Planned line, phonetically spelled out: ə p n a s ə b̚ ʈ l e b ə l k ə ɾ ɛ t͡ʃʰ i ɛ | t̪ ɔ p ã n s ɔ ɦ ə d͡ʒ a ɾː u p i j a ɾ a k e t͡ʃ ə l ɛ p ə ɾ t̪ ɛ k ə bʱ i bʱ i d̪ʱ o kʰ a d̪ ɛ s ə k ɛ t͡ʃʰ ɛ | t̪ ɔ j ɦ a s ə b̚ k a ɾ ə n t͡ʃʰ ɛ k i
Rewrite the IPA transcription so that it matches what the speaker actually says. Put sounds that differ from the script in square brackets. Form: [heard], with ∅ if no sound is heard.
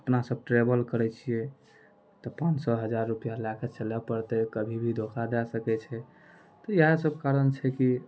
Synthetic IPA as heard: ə p n a s ə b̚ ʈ [ɾ] e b ə l k ə ɾ ɛ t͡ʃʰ i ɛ | t̪ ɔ p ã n s ɔ ɦ ə d͡ʒ a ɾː u p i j a [l] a k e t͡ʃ ə l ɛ p ə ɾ t̪ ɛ k ə bʱ i bʱ i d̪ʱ o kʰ a d̪ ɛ s ə k ɛ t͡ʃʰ ɛ | t̪ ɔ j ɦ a s ə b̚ k a ɾ ə n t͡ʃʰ ɛ k i

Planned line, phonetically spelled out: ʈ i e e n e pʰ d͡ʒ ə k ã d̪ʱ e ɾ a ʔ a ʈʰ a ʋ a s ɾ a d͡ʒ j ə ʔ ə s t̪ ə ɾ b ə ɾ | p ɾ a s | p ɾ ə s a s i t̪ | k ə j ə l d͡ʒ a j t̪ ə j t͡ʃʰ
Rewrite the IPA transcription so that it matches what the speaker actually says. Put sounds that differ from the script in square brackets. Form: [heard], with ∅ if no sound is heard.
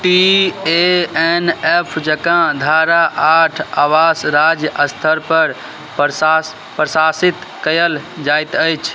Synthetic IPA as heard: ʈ i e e n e pʰ d͡ʒ ə k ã d̪ʱ [a] ɾ a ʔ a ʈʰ a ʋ a s ɾ a d͡ʒ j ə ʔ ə s [t̪ʰ] ə ɾ [p] ə ɾ | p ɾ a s | p ɾ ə s a s i t̪ | k ə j ə l d͡ʒ a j t̪ ə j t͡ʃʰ

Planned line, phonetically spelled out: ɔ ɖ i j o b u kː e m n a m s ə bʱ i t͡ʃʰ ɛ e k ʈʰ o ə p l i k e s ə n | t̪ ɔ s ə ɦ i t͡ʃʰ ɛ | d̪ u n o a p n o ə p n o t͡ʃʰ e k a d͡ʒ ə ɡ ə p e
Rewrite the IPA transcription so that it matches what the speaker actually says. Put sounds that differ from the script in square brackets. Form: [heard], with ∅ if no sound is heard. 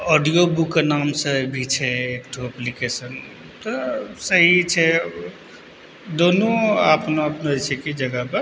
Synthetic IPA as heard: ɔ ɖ i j o b u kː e [∅] n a m s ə bʱ i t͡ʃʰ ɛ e k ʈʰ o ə p l i k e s ə n | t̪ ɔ s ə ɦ i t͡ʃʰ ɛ | d̪ [o] n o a p n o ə p n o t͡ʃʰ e k [i] d͡ʒ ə ɡ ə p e

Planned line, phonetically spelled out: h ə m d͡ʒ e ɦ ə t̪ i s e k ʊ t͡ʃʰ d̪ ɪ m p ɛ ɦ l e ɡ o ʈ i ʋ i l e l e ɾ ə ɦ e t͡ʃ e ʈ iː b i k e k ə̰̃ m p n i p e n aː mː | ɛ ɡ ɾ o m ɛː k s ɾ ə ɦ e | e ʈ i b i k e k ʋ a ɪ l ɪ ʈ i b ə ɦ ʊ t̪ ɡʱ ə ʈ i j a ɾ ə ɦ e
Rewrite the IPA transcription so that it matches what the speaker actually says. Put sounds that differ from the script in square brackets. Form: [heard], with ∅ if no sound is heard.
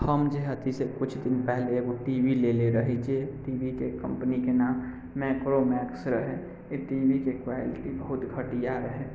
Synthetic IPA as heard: h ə m d͡ʒ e ɦ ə t̪ i s e k ʊ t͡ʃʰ d̪ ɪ [n] p ɛ ɦ l e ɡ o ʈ i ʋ i l e l e ɾ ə ɦ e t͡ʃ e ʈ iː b i k e k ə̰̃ m p n i [k] e n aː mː | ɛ [k] ɾ o m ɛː k s ɾ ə ɦ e | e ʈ i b i k e k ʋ a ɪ l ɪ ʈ i b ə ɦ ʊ t̪ ɡʱ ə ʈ i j a ɾ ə ɦ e

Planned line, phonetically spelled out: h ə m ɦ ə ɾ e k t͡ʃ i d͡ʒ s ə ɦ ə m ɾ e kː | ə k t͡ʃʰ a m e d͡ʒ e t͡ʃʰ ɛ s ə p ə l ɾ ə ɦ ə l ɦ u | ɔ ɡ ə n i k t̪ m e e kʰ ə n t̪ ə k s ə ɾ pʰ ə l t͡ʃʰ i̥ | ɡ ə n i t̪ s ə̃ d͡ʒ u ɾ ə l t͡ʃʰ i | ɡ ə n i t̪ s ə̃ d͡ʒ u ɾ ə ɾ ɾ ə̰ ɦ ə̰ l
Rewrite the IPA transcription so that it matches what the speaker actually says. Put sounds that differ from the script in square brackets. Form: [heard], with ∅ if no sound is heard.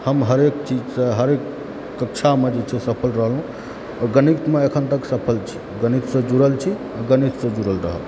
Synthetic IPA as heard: h ə m ɦ ə ɾ e k t͡ʃ i d͡ʒ s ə ɦ ə [∅] ɾ e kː | ə k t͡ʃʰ a m e d͡ʒ e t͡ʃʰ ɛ s ə [pʰ] ə l ɾ ə ɦ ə l ɦ [ũ] | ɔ ɡ ə n i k t̪ m e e kʰ ə n t̪ ə k s ə [∅] pʰ ə l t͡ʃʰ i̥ | ɡ ə n i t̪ s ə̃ d͡ʒ u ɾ ə l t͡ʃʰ i | ɡ ə n i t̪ s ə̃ d͡ʒ u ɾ ə [l] ɾ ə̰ ɦ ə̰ l

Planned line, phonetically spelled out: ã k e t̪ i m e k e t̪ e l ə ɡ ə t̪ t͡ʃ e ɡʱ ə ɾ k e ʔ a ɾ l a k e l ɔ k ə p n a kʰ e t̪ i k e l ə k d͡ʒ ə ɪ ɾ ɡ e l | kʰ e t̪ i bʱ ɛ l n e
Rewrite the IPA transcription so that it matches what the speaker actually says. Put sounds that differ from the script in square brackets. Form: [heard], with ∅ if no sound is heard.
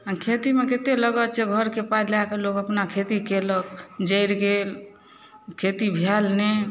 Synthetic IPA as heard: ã [kʰ] e t̪ i m e k e t̪ e l ə ɡ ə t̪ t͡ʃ e ɡʱ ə ɾ k e [p] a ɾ l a k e l [o] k ə p n a kʰ e t̪ i k e l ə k d͡ʒ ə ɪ ɾ ɡ e l | kʰ e t̪ i bʱ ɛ l n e

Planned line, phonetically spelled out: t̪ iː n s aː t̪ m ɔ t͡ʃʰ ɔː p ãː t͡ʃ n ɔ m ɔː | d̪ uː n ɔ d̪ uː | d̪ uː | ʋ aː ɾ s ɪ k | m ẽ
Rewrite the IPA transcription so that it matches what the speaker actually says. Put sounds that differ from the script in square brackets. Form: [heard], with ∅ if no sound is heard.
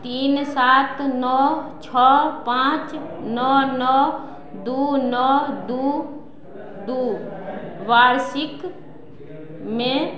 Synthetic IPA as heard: t̪ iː n s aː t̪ [n] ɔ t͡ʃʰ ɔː p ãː t͡ʃ n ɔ [n] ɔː | d̪ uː n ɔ d̪ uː | d̪ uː | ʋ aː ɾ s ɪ k | m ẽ

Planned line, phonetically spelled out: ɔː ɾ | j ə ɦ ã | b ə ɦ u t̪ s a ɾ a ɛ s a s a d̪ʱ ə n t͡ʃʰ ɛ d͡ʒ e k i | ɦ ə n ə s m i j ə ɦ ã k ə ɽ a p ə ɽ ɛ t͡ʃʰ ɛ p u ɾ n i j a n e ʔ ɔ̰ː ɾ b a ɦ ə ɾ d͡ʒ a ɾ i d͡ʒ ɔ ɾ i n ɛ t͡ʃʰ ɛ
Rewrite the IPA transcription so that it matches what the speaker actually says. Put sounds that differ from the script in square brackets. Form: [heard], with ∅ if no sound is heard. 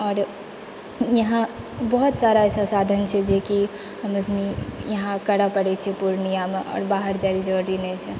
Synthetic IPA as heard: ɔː ɾ | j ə ɦ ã | b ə ɦ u t̪ s a ɾ a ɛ s a s a d̪ʱ ə n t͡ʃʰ ɛ d͡ʒ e k i | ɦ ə [m] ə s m i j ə ɦ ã k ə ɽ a p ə ɽ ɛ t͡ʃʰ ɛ p u ɾ n i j a [m] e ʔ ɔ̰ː ɾ b a ɦ ə ɾ d͡ʒ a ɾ i d͡ʒ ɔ ɾ i n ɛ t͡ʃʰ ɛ

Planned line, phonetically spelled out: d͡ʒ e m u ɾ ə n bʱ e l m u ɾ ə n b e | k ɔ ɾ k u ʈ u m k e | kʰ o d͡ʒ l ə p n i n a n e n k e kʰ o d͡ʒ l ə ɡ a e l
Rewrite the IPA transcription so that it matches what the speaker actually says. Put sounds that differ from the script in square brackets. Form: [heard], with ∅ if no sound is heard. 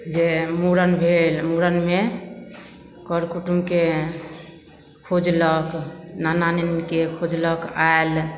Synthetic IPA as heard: d͡ʒ e m u ɾ ə n bʱ e l m u ɾ ə n [m] e | k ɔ ɾ k u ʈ u m k e | kʰ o d͡ʒ l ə [k] n [a] n a n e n k e kʰ o d͡ʒ l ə [k] a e l

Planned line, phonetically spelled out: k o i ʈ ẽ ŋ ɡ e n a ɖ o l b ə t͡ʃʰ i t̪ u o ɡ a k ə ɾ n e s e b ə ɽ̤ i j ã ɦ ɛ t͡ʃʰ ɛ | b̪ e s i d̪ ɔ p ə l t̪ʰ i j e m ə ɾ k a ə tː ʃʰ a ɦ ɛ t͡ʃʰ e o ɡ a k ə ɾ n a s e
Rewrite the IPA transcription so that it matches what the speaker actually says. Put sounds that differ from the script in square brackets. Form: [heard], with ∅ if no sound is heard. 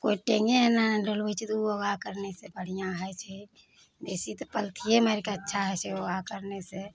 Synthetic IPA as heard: k o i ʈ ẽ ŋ ɡ e n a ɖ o l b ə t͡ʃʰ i t̪ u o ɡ a k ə ɾ n e s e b ə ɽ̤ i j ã ɦ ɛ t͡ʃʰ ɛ | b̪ e s i [t̪] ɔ p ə l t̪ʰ i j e m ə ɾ k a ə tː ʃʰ a ɦ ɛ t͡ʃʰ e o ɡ a k ə ɾ n [e] s e

